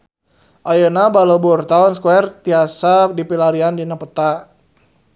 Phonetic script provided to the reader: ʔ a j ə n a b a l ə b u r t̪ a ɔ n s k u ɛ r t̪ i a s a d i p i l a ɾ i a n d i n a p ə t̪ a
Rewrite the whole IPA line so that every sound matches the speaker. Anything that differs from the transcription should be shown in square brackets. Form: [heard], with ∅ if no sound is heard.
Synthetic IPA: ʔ a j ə n a b a l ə b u r t̪ a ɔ n s k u ɛ r t̪ i a s a d i p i l a ɾ i a n d i n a p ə t̪ a